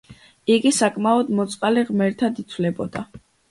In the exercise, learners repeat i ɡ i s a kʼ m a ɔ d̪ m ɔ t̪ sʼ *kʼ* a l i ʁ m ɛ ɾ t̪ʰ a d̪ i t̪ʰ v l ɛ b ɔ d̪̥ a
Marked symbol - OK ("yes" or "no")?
no